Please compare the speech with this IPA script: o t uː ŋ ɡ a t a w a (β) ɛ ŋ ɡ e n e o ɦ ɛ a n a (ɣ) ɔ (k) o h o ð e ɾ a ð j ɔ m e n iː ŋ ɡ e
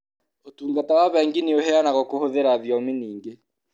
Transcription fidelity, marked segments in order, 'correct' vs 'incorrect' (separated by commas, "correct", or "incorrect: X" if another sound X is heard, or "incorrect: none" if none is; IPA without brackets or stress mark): correct, correct, correct